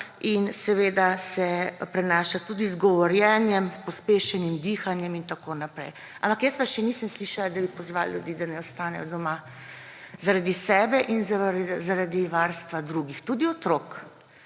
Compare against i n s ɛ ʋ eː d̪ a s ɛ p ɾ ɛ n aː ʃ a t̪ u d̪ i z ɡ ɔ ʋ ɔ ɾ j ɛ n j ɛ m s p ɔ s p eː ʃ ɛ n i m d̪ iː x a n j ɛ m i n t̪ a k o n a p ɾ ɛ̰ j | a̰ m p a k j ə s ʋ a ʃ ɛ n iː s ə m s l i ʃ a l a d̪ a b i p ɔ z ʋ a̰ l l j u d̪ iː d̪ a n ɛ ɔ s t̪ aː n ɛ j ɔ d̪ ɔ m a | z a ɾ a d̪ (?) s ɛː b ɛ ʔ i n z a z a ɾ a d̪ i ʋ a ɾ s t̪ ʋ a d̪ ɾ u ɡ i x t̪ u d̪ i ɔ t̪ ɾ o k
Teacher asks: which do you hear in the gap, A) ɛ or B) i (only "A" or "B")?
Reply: B